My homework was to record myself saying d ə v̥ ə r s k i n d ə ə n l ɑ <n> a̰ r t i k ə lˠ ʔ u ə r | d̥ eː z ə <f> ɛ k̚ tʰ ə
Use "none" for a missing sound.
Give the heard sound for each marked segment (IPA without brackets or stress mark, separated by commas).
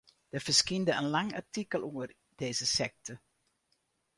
ŋ, s